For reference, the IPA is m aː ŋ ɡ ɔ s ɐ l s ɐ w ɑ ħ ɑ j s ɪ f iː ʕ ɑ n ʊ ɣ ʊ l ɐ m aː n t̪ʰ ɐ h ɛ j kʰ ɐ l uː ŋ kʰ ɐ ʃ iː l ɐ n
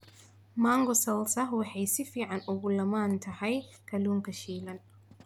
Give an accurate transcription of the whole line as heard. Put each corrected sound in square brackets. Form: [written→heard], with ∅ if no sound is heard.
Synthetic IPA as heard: m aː ŋ ɡ ɔ s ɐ l s ɐ w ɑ ħ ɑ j s ɪ f iː ʕ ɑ n ʊ ɣ ʊ l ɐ m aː n t̪ʰ ɐ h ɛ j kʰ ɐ l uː ŋ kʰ ɐ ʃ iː l ɐ n